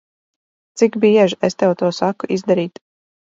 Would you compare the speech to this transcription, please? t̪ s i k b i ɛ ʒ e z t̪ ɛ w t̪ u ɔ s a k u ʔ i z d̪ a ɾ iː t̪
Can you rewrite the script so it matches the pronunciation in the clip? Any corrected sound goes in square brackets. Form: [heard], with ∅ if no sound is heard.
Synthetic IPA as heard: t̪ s i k b i ɛ ʒ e [s] t̪ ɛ w t̪ u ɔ s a k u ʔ i z d̪ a ɾ iː t̪